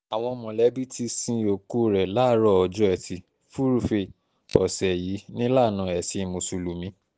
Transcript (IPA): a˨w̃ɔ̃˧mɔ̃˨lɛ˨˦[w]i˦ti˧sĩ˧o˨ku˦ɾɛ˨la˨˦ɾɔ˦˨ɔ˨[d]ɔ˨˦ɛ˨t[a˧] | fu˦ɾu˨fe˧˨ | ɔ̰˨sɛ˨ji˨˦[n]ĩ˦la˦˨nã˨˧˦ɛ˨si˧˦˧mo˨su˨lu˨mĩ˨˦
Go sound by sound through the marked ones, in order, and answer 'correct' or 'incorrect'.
incorrect: b, incorrect: d͡ʒ, incorrect: i˧, correct

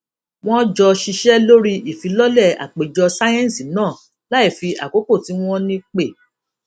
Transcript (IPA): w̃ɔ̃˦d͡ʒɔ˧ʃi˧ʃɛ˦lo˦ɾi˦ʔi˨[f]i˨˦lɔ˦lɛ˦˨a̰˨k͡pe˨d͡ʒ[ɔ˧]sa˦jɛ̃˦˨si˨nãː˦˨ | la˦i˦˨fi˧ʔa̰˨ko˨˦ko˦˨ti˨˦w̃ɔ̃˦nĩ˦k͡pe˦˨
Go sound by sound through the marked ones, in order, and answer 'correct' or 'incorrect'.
correct, correct

